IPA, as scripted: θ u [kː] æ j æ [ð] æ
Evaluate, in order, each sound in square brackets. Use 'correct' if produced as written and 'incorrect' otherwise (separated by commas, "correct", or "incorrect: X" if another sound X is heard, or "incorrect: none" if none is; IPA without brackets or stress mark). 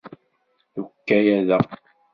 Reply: correct, correct